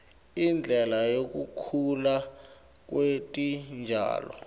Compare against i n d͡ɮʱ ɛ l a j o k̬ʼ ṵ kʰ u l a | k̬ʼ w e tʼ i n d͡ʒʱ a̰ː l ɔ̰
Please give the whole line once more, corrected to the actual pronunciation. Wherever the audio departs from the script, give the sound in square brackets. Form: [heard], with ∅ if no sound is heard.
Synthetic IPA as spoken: i n d͡ɮʱ ɛ l a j o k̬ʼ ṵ kʰ u l a | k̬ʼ w e tʼ i n d͡ʒʱ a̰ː l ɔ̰